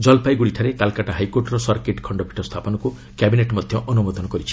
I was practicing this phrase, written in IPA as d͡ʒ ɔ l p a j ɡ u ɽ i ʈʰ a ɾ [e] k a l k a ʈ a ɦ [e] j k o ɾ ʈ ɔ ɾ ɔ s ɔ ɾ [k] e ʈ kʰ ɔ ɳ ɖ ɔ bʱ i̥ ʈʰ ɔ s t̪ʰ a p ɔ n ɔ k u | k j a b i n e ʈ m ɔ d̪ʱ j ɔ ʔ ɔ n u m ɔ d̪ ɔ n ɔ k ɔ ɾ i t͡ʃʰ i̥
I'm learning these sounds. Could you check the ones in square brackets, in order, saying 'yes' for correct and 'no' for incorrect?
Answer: yes, no, yes

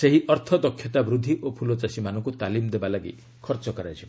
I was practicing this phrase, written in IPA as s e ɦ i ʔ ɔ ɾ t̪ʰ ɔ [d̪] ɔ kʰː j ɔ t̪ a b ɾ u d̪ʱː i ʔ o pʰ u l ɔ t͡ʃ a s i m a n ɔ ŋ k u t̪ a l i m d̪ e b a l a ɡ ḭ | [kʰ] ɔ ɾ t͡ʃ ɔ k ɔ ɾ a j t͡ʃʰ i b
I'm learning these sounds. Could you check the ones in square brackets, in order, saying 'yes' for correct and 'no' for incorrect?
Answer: yes, yes

